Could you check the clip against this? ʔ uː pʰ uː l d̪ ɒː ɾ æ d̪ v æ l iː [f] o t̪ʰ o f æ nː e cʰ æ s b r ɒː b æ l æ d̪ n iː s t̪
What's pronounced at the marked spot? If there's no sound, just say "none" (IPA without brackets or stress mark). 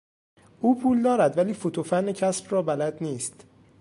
f